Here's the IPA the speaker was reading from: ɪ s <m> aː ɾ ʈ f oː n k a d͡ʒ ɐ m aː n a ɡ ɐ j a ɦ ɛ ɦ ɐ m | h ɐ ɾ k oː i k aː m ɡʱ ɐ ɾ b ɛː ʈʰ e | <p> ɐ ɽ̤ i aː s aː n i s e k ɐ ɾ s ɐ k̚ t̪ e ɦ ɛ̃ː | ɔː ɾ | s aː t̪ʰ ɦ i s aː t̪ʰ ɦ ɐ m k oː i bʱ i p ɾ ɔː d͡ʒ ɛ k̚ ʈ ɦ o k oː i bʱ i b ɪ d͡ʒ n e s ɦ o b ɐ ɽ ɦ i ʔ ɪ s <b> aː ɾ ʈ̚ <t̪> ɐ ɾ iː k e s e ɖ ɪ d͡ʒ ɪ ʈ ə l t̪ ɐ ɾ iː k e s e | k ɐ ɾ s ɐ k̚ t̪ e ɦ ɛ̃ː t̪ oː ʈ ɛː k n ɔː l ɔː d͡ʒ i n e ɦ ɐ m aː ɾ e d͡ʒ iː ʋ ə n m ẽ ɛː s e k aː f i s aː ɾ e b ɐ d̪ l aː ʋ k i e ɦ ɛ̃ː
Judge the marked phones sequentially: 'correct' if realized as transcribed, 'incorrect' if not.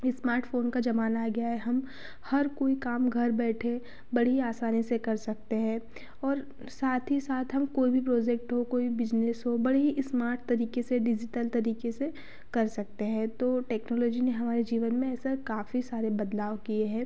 correct, incorrect, incorrect, correct

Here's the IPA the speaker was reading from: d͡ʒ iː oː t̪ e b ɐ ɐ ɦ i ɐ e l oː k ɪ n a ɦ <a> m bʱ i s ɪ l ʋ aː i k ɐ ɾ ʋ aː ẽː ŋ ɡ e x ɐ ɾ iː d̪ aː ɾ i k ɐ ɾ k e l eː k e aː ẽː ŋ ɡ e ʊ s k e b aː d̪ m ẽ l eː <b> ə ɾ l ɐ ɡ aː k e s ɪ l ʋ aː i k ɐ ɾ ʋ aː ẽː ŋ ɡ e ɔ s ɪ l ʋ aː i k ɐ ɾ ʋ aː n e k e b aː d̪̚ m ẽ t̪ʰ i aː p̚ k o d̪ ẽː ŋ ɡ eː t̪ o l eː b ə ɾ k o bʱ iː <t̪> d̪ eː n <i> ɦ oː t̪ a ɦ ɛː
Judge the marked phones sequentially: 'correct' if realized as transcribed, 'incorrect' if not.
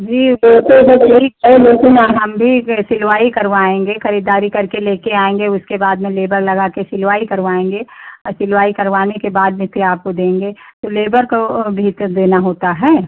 incorrect, correct, correct, incorrect

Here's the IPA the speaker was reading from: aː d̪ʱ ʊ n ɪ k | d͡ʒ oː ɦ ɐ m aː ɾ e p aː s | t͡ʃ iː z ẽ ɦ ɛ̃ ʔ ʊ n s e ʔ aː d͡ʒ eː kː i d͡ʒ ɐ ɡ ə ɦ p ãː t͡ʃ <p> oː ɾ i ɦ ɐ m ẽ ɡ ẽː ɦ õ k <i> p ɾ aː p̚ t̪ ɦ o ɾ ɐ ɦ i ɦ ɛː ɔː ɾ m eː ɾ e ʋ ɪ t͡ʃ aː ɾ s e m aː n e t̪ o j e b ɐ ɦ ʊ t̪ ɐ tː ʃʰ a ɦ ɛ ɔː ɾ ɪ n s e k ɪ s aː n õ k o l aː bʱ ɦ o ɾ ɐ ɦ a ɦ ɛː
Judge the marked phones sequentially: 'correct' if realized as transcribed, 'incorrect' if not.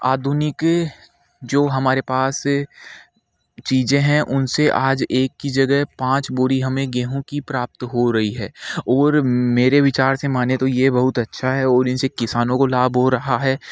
incorrect, correct

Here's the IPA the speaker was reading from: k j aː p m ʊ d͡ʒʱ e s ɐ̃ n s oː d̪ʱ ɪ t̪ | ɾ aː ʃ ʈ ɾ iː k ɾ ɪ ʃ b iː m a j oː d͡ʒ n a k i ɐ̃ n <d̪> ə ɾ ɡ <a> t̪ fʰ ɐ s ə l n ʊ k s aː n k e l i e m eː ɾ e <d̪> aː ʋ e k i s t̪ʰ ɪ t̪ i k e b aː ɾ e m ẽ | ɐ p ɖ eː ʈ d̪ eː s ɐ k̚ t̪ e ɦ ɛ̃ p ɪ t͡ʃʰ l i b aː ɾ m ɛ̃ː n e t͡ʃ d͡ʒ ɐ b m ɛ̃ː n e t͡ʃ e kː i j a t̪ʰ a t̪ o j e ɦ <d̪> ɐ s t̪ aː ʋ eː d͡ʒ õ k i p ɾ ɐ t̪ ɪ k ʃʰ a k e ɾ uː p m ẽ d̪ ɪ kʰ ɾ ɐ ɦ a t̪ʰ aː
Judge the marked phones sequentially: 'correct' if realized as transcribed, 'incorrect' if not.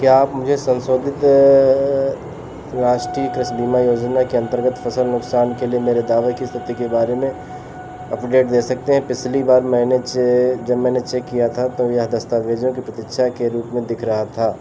incorrect, incorrect, correct, correct

